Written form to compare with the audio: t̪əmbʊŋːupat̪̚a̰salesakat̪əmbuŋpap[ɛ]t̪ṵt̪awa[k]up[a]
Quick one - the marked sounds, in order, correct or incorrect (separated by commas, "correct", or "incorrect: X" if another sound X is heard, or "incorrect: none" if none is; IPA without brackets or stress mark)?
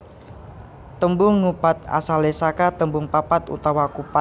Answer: incorrect: a, correct, correct